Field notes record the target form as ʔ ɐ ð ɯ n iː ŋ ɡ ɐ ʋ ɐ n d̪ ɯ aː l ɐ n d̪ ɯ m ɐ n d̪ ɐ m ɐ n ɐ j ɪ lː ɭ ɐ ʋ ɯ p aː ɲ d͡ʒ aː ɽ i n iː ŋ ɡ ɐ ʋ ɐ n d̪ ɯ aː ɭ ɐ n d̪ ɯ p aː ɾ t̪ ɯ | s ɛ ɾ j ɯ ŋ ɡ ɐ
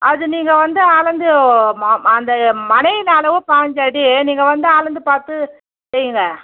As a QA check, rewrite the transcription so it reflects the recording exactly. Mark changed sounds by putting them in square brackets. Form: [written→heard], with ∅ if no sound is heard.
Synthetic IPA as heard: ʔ ɐ ð ɯ n iː ŋ ɡ ɐ ʋ ɐ n d̪ ɯ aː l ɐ n d̪ ɯ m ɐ n d̪ ɐ m ɐ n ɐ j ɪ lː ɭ ɐ ʋ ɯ p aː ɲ d͡ʒ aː ɽ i n iː ŋ ɡ ɐ ʋ ɐ n d̪ ɯ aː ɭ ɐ n d̪ ɯ p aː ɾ t̪ ɯ | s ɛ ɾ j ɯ ŋ ɡ ɐ